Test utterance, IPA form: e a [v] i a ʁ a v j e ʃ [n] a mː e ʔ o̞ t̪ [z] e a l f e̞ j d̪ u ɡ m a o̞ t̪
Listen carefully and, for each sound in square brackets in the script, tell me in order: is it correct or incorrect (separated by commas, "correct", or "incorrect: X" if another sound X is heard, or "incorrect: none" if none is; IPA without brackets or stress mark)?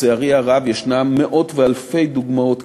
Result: incorrect: ʁ, correct, incorrect: v